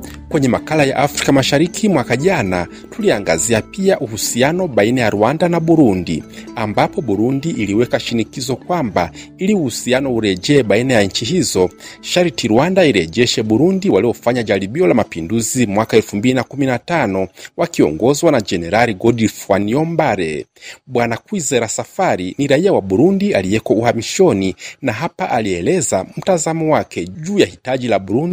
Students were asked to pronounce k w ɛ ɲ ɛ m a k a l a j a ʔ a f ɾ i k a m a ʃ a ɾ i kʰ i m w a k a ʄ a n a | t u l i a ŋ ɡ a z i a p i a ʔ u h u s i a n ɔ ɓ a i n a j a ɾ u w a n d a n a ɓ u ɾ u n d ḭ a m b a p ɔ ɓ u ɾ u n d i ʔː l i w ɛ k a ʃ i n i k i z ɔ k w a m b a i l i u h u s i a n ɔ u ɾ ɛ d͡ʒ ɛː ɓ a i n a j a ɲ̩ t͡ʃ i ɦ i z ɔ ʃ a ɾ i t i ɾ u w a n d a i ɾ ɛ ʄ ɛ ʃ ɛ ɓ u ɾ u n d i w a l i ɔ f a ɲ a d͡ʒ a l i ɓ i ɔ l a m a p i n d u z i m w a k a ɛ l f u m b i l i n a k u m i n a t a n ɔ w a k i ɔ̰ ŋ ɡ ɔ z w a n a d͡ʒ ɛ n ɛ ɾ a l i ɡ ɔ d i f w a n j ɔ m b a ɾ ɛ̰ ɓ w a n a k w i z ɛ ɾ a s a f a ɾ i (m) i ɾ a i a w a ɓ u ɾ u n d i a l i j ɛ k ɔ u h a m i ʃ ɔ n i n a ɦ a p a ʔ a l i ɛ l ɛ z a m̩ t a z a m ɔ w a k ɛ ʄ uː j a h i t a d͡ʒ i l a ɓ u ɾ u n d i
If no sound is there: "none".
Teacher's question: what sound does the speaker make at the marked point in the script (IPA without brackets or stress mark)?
n